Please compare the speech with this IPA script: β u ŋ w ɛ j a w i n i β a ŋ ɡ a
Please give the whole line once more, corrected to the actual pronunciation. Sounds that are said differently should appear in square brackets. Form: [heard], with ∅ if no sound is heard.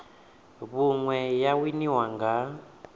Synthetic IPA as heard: β u ŋ w ɛ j a w i n i [w] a ŋ ɡ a